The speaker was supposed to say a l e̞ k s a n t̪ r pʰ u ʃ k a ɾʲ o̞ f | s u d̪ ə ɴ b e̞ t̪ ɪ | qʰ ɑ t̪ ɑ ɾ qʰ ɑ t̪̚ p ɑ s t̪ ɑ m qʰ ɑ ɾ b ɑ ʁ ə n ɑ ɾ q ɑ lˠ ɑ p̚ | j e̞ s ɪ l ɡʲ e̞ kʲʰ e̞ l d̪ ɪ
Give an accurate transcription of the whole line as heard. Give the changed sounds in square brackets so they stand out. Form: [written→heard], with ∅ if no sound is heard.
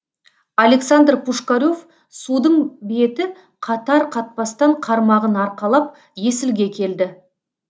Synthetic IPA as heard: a l e̞ k s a n [t̪→d̪] r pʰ u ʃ k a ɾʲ o̞ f | s u d̪ ə ɴ b e̞ t̪ ɪ | qʰ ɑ t̪ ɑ ɾ qʰ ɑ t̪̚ p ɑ s t̪ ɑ [m→ɴ] qʰ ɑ ɾ [b→m] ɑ ʁ ə n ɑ ɾ q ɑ lˠ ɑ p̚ | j e̞ s ɪ l ɡʲ e̞ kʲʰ e̞ l d̪ ɪ